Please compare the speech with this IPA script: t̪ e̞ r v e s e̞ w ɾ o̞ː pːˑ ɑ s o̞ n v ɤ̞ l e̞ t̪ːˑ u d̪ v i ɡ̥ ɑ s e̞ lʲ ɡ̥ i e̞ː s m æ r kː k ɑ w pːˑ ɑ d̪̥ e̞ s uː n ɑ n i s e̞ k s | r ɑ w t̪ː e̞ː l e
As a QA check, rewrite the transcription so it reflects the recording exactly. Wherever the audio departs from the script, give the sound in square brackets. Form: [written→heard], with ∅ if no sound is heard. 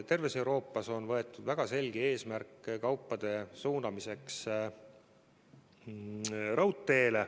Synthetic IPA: t̪ e̞ r v e s e̞ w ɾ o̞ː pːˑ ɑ s o̞ n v ɤ̞ [l→∅] e̞ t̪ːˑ u d̪ v [i→æ] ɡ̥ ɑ s e̞ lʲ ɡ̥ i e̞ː s m æ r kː k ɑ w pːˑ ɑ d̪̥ e̞ s uː n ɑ [n→m] i s e̞ k s | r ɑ w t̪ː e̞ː l e